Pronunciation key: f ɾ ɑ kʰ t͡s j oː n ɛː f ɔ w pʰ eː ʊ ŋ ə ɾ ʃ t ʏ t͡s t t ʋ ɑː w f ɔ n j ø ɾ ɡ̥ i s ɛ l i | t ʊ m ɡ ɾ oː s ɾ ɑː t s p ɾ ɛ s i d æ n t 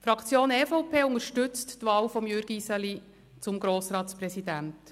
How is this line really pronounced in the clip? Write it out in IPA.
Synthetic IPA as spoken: f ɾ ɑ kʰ t͡s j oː n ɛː f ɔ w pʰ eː ʊ ŋ ə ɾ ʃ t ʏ t͡s t t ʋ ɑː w f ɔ m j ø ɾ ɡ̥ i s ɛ l i | t͡s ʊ m ɡ ɾ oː s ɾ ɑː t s p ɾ ɛ s i d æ n t